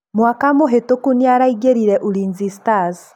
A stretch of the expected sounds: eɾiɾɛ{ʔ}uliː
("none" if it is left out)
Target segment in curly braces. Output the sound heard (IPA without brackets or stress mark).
ʔ